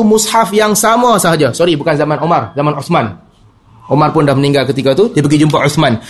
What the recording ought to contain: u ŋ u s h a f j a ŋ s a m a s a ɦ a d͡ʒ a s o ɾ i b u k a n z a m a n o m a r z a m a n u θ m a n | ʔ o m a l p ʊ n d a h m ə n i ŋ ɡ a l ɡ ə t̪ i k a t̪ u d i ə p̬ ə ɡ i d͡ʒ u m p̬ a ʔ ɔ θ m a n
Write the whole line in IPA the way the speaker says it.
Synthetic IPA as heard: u m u s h a f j a ŋ s a m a s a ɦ a d͡ʒ a s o ɾ i b u k a n z a m a n o m a r z a m a n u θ m a n | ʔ o m a r p ʊ n d a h m ə n i ŋ ɡ a l k ə t̪ i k a t̪ u d i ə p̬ ə ɡ i d͡ʒ u m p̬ a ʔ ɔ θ m a n